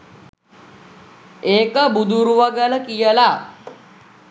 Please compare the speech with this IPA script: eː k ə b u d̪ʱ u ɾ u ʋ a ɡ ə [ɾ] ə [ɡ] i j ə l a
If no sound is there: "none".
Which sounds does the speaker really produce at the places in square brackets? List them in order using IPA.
l, k

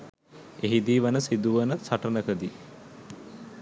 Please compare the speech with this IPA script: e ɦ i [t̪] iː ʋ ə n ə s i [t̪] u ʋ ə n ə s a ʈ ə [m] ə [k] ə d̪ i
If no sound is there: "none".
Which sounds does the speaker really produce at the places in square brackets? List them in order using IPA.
d̪, d̪, n, k

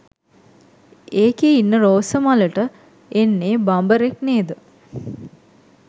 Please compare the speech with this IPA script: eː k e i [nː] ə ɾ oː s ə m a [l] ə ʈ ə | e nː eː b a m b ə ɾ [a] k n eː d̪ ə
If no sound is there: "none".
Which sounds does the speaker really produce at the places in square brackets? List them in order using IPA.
nː, l, e

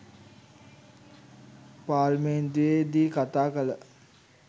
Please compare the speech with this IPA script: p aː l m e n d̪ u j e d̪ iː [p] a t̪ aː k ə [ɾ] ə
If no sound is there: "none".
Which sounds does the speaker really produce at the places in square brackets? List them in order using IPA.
k, l

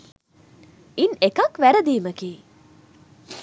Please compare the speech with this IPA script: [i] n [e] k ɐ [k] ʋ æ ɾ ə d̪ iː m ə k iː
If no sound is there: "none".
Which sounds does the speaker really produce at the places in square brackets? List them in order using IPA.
i, e, k

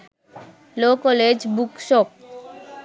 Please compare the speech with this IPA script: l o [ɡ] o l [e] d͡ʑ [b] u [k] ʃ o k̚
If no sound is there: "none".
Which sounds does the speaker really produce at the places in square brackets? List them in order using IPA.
k, e, b, k

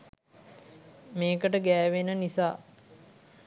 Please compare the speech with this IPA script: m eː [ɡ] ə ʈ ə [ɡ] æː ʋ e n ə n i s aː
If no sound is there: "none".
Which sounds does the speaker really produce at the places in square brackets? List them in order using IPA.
k, ɡ

